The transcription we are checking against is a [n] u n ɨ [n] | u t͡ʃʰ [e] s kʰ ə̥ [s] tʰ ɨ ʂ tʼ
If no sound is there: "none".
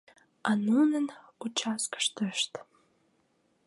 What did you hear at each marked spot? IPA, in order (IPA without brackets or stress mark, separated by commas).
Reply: n, n, a, ʂ